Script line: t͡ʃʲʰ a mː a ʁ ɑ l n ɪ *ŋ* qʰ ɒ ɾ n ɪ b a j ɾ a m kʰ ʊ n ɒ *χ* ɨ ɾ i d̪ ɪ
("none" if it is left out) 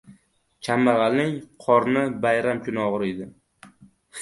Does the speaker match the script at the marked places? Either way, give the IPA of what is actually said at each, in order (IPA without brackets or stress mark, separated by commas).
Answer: ŋ, ʁ